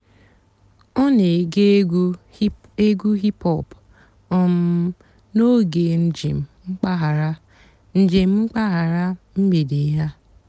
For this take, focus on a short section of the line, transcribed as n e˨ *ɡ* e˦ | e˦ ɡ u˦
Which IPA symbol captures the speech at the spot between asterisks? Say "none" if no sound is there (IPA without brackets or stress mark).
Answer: ɡ